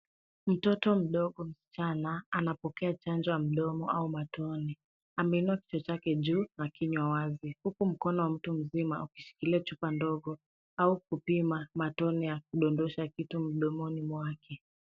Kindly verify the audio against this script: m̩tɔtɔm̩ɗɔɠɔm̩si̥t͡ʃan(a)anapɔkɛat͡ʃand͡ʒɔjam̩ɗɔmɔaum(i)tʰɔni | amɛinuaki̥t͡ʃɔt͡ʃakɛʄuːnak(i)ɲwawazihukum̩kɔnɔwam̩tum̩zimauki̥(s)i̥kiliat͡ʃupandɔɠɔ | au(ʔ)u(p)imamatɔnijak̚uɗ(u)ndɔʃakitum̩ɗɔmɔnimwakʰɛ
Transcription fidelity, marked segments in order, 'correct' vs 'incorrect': correct, incorrect: a, correct, incorrect: ʃ, incorrect: k, correct, incorrect: ɔ

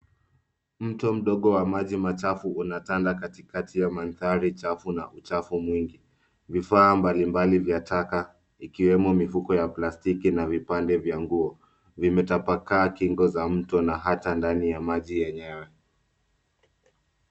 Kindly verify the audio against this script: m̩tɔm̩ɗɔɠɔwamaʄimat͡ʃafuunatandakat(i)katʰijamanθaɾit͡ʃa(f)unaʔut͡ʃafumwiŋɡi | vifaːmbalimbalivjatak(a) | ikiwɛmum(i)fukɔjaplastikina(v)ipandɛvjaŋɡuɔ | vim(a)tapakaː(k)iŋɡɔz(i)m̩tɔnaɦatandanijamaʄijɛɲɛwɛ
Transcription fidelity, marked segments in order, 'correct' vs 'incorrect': correct, correct, correct, correct, correct, incorrect: ɛ, correct, incorrect: a

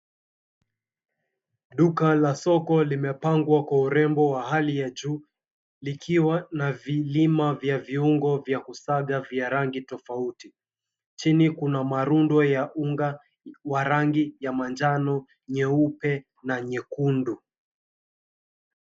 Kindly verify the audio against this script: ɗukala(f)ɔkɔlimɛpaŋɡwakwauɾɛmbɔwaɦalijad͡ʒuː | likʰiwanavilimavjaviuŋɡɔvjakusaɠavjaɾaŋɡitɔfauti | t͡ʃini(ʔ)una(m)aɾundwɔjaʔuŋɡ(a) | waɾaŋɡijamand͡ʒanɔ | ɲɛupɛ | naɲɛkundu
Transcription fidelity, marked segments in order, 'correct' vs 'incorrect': incorrect: s, incorrect: k, correct, correct

